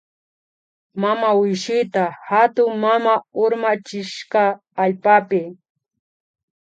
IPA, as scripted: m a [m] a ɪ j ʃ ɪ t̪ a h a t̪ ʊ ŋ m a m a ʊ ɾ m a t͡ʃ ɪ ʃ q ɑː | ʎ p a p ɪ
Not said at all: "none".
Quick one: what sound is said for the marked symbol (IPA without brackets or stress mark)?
m